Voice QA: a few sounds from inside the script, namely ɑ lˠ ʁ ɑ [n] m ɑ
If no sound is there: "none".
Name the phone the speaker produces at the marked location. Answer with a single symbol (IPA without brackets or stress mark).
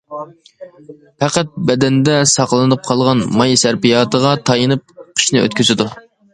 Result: n